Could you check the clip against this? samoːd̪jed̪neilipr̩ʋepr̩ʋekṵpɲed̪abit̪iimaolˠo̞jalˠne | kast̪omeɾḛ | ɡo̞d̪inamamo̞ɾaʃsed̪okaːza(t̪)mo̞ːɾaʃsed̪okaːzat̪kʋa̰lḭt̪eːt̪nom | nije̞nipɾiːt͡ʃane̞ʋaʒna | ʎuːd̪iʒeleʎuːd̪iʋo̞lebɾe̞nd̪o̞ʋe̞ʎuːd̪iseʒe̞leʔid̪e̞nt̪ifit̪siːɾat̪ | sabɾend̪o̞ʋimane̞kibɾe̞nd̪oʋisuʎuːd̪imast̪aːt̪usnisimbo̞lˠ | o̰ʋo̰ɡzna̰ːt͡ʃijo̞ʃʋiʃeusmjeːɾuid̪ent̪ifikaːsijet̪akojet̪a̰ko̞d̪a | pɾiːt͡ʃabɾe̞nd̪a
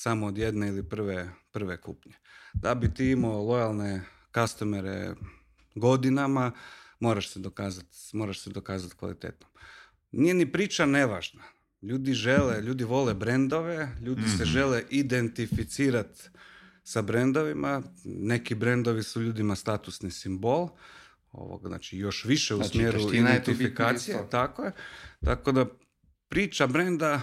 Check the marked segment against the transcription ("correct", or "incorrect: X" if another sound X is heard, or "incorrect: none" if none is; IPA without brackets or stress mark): correct